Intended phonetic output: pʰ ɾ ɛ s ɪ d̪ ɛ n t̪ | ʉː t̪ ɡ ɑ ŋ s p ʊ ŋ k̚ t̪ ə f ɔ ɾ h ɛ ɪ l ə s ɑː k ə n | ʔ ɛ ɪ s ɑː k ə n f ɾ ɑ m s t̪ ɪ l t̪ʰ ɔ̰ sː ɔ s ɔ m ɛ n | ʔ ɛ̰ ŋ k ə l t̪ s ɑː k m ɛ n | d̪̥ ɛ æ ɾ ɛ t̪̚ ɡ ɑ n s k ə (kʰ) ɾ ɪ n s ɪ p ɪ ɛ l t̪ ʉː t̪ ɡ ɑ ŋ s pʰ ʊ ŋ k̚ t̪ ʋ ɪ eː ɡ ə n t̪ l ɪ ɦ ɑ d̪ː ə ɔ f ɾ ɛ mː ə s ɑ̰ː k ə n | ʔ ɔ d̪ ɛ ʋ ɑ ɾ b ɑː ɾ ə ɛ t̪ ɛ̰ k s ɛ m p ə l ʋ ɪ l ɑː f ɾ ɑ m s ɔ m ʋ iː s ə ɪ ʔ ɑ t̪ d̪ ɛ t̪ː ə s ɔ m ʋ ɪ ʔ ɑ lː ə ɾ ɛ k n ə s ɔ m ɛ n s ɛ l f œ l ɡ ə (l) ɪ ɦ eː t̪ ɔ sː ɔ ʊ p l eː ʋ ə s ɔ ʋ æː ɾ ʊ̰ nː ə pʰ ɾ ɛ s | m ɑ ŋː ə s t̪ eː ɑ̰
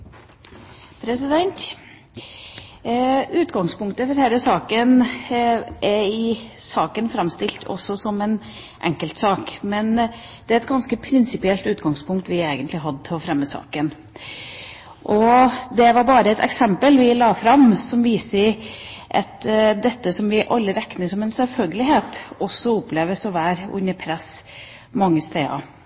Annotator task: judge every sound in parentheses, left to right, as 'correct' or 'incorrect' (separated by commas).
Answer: incorrect, correct